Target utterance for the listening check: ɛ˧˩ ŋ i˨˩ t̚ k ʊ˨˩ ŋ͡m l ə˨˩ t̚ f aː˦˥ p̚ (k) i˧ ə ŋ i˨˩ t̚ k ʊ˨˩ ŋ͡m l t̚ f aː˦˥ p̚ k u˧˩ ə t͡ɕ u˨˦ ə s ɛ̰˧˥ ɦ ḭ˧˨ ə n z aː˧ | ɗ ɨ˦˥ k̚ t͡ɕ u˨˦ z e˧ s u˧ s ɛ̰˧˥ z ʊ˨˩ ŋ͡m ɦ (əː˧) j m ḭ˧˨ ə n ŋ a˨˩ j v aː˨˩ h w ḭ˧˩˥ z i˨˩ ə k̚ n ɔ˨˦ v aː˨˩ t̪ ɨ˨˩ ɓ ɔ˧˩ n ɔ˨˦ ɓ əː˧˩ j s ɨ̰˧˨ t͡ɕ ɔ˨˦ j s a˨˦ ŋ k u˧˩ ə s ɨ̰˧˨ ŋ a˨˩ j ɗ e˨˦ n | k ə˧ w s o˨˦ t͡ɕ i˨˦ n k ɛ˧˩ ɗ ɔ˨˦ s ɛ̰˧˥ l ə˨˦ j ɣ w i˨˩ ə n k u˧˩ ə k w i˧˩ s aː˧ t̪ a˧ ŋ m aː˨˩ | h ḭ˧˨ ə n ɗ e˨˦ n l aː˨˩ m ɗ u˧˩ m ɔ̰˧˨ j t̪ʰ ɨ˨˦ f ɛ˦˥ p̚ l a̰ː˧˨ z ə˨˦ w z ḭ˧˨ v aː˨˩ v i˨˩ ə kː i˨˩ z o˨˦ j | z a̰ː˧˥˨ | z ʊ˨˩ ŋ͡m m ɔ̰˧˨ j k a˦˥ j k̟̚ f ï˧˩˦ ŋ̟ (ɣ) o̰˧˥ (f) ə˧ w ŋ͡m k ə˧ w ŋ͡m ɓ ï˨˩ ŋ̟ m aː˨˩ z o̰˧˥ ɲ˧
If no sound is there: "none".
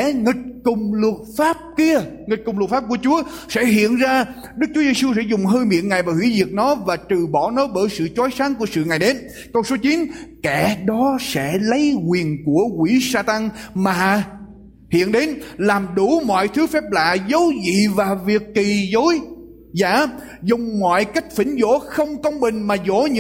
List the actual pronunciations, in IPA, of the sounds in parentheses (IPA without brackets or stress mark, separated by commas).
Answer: k, əː˧, z, x